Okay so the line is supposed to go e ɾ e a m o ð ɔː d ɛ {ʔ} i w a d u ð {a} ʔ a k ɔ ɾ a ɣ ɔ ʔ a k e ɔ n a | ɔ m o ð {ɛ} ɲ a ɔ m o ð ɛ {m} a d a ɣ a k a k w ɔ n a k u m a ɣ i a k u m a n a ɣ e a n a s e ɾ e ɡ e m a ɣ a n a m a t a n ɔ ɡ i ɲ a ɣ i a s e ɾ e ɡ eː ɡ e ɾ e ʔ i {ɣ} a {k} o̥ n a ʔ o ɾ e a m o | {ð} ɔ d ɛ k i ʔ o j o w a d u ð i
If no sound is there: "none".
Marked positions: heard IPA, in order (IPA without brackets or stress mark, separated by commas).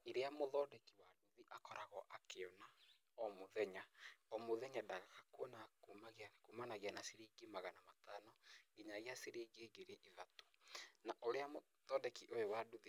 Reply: k, i, ɛ, ɲ, ð, t, ð